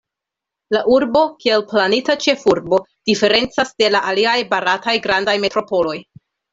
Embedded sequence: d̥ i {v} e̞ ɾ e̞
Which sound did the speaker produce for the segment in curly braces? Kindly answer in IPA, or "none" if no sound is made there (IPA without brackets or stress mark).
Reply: f